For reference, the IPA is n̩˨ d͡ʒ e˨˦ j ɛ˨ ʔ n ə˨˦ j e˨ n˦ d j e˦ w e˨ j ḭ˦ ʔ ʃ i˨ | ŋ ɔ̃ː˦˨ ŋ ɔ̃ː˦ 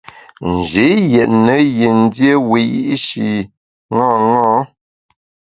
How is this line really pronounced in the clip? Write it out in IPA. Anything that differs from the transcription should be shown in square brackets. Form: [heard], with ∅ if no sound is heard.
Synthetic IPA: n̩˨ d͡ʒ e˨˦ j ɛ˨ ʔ n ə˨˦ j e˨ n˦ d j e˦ w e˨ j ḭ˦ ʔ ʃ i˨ | ŋ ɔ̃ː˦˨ ŋ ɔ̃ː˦